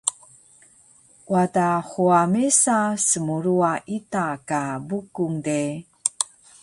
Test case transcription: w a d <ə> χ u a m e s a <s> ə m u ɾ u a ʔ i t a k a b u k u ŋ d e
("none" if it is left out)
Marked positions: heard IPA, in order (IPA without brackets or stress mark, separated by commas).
a, s